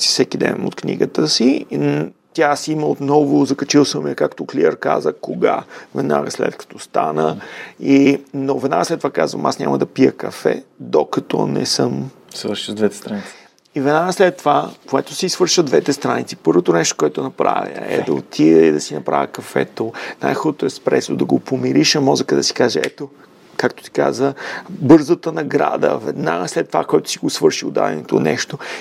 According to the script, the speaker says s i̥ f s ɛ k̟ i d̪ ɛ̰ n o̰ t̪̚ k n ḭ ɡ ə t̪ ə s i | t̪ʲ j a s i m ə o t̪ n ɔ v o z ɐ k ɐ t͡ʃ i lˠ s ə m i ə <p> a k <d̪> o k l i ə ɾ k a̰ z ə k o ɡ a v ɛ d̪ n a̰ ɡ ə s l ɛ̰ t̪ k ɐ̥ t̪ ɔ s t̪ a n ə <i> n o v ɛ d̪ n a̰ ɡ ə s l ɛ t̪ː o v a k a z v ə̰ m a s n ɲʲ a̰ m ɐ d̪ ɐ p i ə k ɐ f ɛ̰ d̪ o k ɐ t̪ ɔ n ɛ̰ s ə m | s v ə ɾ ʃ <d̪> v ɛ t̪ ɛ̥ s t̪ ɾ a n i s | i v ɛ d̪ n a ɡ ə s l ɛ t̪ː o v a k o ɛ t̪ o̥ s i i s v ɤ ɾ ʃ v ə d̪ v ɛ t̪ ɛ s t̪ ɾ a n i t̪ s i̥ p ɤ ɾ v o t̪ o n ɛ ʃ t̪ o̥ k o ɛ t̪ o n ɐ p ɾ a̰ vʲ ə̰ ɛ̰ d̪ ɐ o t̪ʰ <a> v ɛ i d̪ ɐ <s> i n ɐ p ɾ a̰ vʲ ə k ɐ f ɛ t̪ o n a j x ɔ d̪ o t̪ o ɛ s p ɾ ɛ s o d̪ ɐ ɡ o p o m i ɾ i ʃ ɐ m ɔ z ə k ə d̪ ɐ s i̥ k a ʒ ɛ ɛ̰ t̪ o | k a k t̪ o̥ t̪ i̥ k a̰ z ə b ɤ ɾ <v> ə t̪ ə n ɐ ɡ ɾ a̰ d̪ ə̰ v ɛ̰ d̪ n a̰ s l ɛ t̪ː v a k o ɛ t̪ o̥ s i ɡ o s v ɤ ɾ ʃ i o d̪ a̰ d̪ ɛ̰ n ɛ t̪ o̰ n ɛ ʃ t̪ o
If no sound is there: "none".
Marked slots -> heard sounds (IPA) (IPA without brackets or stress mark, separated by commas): k, t̪, i, d̪, i, s, z